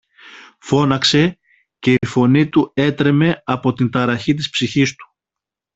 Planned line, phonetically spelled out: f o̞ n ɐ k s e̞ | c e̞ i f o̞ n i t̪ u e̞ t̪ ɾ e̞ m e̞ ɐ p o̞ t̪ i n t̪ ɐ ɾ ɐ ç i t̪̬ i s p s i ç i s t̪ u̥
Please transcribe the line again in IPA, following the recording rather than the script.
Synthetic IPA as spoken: f o̞ n ɐ k s e̞ | c e̞ i f o̞ n i t̪ u e̞ t̪ ɾ e̞ m e̞ ɐ p o̞ t̪ i n t̪ ɐ ɾ ɐ ç i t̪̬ i s p s i ç i s t̪ u̥